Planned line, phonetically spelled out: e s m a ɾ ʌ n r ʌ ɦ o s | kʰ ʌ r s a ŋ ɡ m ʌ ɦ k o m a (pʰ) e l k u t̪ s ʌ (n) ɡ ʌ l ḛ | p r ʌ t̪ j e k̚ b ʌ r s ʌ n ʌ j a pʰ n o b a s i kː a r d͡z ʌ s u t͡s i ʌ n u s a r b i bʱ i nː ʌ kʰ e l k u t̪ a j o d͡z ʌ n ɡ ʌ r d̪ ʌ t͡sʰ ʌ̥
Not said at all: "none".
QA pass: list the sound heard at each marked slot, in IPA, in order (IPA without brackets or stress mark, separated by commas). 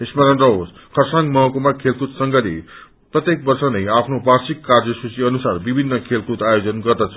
kʰ, ŋ